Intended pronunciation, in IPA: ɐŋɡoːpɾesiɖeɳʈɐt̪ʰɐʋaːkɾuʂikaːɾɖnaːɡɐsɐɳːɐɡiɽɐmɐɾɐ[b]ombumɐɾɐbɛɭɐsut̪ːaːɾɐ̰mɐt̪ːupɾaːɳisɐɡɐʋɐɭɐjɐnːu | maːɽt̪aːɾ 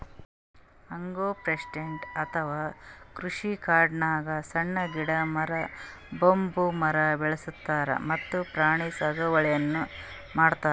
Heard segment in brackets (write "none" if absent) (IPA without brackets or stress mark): b